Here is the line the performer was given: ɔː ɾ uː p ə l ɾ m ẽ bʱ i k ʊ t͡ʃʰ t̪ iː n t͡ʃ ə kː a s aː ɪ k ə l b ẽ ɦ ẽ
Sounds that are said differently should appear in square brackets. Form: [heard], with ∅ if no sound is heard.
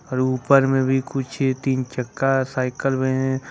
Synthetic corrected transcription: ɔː ɾ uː p ə [∅] ɾ m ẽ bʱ i k ʊ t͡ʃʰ t̪ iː n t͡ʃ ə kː a s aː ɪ k ə l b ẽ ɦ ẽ